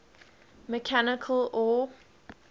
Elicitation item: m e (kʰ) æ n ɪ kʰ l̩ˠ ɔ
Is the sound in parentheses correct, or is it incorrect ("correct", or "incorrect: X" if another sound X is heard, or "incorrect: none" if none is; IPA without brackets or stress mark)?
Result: correct